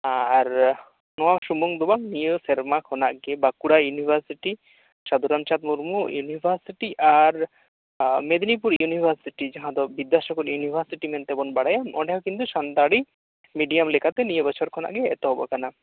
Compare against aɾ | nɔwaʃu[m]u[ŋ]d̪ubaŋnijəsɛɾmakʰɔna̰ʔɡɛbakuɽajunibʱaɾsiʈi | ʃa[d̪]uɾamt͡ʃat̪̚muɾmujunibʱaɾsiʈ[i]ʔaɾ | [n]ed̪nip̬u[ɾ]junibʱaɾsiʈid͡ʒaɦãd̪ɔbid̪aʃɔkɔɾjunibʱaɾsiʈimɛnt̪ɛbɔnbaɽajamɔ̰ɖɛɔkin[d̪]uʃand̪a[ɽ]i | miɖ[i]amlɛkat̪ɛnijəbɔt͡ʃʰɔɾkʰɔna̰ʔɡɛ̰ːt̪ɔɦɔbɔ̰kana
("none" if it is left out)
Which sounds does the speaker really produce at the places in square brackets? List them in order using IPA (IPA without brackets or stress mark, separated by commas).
m, ŋ, d̪, i, m, ɾ, t̪, ɽ, i